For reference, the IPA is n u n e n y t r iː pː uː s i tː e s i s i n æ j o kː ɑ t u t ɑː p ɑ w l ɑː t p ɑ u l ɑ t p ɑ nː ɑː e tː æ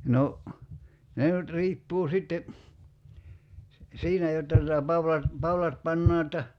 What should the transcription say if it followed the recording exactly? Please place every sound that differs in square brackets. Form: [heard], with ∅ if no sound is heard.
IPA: n [o] n e n y t r iː pː uː s i tː e s i s [iː] n æ j o [tː] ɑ t u t [ɑ] p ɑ w l [ɑ] t p ɑ u l ɑ t p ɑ nː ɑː e tː æ